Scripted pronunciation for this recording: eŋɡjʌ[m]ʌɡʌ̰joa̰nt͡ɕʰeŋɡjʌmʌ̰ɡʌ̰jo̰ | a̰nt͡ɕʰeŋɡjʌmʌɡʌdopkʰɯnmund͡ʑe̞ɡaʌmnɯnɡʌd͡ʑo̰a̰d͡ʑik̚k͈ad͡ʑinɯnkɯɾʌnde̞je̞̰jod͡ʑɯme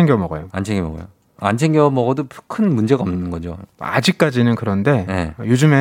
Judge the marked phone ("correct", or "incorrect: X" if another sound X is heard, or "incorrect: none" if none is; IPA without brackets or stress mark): correct